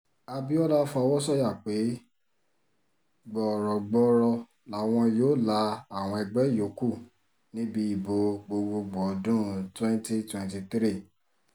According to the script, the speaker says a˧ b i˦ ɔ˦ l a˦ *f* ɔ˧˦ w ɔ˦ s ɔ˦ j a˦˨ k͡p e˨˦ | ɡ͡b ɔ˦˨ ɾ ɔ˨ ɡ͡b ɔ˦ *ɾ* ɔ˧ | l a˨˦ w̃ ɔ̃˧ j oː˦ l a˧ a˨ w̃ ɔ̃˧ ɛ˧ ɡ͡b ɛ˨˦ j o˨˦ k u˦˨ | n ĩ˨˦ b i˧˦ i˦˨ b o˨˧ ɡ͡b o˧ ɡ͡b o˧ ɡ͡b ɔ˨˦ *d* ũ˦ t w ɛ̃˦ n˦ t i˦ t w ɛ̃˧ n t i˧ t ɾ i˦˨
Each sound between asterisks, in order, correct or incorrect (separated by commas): correct, correct, correct